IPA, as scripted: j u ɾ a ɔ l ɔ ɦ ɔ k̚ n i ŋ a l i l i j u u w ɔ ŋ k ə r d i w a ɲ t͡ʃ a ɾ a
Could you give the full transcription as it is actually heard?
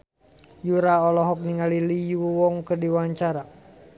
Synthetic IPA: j u ɾ a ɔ l ɔ ɦ ɔ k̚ n i ŋ a l i l i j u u w ɔ ŋ k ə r d i w a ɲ t͡ʃ a ɾ a